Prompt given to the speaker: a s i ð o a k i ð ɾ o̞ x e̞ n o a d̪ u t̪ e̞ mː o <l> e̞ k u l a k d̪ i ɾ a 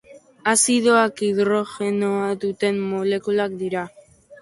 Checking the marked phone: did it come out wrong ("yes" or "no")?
no